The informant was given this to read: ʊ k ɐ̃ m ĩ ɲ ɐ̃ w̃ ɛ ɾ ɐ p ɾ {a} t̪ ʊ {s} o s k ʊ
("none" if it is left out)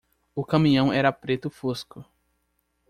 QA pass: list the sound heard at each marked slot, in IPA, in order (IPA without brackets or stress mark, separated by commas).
e, f